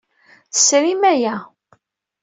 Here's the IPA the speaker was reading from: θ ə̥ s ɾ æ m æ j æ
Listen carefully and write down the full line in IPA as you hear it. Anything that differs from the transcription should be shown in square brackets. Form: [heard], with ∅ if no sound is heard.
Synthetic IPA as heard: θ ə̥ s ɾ [i] m æ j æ